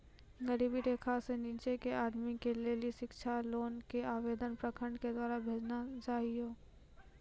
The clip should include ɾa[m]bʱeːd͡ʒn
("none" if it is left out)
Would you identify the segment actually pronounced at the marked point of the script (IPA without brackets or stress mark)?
none